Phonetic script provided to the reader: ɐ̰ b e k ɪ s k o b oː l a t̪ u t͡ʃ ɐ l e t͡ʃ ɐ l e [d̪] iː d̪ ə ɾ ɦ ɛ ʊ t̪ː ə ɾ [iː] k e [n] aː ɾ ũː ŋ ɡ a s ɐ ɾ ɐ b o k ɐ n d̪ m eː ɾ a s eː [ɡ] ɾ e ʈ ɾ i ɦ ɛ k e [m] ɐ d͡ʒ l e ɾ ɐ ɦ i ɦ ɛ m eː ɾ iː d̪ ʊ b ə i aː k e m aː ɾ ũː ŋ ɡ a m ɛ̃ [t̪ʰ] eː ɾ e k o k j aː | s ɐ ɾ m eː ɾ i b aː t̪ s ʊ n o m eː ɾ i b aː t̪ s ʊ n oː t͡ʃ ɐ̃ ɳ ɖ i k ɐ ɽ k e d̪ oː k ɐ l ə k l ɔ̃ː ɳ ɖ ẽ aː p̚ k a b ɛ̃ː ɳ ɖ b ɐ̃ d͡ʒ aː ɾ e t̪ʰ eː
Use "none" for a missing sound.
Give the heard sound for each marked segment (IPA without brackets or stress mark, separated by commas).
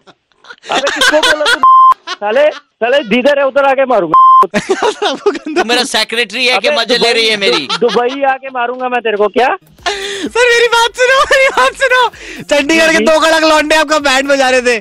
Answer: d̪, aː, m, k, m, t̪